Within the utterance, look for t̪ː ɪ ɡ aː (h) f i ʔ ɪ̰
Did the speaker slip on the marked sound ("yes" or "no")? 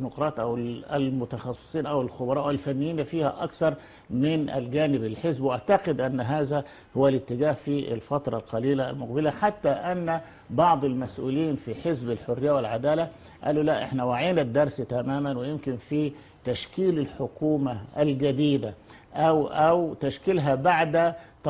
no